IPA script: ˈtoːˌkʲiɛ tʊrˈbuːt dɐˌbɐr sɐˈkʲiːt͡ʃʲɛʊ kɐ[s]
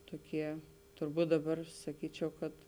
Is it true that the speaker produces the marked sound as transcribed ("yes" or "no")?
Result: no